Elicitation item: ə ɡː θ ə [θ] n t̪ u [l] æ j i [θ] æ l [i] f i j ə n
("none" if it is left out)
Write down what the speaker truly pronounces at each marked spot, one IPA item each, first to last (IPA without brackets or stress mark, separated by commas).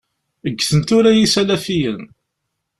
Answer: none, ɾ, s, æ